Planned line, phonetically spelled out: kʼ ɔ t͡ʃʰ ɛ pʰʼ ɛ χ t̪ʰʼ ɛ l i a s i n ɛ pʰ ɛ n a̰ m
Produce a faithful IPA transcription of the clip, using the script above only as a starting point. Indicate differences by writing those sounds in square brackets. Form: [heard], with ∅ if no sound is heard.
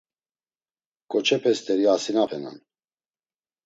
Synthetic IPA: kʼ ɔ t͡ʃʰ ɛ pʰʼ ɛ [s] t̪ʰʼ ɛ [ɾ] i a s i n [a] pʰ ɛ n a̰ [n]

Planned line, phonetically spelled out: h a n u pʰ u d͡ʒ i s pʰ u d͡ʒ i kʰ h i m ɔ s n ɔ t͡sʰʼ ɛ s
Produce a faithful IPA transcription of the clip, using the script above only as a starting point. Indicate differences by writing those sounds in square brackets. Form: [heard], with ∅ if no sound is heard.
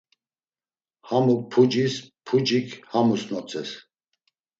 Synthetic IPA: h a [m] u pʰ u d͡ʒ i s pʰ u d͡ʒ i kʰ h [a] m [u] s n ɔ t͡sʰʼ ɛ s

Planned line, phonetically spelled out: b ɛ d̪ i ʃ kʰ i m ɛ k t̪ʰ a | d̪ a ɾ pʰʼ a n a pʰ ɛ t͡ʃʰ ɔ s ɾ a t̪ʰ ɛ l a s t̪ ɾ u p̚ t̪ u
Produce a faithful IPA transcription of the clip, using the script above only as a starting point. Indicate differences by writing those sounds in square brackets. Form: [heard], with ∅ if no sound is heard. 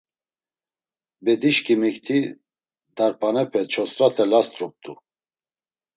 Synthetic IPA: b ɛ d̪ i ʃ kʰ i m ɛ k t̪ʰ [i] | d̪ a ɾ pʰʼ a n [ɛ] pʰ ɛ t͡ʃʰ ɔ s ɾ a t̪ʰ ɛ l a s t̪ ɾ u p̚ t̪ u

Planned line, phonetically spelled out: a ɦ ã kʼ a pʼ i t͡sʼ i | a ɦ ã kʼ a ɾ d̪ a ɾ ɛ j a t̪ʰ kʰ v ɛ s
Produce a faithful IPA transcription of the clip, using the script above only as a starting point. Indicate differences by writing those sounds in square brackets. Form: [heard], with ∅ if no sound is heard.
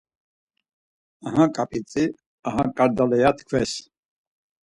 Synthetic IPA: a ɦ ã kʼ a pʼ i t͡sʼ i | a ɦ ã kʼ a ɾ d̪ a [l] ɛ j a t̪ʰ kʰ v ɛ s

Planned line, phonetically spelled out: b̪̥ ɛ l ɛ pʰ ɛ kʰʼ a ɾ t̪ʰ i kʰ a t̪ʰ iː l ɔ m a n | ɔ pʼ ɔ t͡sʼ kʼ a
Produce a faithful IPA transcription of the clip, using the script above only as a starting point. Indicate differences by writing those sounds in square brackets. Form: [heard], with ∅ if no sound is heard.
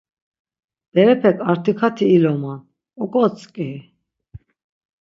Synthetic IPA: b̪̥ ɛ [ɾ] ɛ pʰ ɛ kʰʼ a ɾ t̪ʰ i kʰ a t̪ʰ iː l ɔ m a n | ɔ [kʼ] ɔ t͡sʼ kʼ [i]

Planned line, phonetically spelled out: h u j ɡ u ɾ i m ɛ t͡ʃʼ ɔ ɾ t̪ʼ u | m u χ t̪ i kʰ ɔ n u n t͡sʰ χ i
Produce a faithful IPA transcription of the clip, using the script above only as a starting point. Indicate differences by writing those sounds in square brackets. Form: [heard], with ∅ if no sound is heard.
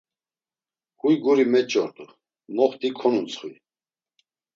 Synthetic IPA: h u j ɡ u ɾ i m ɛ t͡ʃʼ ɔ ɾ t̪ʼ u | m [ɔ] χ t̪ i kʰ ɔ n u n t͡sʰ χ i

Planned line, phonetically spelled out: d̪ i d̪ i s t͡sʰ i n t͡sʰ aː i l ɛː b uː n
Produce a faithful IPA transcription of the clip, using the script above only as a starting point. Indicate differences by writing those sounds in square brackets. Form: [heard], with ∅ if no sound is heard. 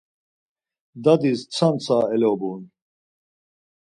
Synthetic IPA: d̪ [a] d̪ i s t͡sʰ [a] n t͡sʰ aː [ɛ] l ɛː b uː n

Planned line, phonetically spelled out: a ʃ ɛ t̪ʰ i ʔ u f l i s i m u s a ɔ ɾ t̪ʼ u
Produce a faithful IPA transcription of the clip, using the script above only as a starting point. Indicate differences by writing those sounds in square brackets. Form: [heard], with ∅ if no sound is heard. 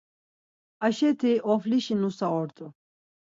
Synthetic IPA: a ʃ ɛ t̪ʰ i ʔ [ɔ] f l i [ʃ] i [n] u s a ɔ ɾ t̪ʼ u

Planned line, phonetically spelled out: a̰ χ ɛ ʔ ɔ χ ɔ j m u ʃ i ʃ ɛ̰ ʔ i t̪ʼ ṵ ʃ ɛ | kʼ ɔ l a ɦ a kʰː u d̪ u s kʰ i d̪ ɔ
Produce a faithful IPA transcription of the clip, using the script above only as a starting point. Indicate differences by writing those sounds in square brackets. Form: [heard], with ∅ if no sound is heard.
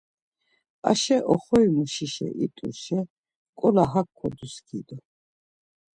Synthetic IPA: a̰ [ʃ] ɛ ʔ ɔ χ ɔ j m u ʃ i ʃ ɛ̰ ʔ i t̪ʼ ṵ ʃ ɛ | kʼ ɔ l a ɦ a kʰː [ɔ] d̪ u s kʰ i d̪ ɔ

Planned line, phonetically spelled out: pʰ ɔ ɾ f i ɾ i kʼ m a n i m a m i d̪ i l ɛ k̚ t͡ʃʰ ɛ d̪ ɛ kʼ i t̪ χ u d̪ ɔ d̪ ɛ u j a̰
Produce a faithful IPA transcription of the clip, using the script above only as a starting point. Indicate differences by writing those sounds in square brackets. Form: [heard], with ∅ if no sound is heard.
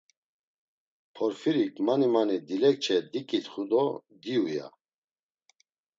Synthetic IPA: pʰ ɔ ɾ f i ɾ i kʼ m a n i m a [n] i d̪ i l ɛ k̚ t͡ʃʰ ɛ d̪ [i] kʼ i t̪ χ u d̪ ɔ d̪ [i] u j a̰

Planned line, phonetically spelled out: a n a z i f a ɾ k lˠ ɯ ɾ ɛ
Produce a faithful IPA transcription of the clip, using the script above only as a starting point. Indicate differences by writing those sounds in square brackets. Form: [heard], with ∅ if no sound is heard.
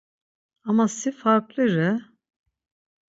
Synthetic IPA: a [m] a [s] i f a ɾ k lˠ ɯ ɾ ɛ

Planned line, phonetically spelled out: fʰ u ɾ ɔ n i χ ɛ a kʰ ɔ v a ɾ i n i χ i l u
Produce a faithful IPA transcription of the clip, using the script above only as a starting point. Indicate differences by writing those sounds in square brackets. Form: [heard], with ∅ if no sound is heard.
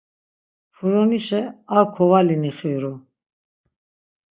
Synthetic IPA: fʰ u ɾ ɔ n i [ʃ] ɛ a kʰ ɔ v a [l] i n i χ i [ɾ] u

